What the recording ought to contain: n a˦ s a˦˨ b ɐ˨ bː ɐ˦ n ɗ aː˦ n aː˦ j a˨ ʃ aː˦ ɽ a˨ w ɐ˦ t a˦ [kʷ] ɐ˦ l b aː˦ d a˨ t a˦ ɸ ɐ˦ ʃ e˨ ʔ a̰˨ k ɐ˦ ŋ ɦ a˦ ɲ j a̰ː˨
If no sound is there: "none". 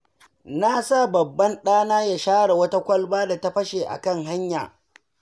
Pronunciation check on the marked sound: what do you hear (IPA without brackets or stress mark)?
kʷ